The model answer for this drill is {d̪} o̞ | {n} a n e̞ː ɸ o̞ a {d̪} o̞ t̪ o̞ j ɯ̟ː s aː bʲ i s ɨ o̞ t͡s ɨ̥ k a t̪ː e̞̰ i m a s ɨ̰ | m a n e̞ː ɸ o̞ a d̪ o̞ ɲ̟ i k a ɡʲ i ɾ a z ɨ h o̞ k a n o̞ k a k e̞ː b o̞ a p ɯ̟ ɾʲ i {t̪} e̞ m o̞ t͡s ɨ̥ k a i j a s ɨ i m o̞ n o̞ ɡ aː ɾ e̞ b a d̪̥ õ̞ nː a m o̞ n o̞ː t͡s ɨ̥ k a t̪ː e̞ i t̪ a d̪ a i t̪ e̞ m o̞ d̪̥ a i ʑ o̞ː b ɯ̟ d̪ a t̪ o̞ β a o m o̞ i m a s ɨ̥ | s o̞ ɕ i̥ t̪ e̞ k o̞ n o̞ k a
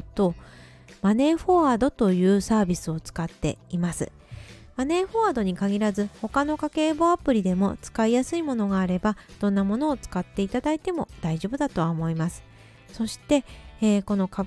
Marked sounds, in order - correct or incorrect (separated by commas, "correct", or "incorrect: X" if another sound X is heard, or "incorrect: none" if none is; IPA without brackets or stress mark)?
incorrect: t̪, incorrect: m, correct, incorrect: d̪